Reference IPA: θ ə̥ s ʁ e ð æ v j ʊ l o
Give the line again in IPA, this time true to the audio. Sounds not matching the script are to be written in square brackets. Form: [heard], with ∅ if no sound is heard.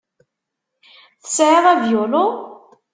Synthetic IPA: θ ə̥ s [ʕ] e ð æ v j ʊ l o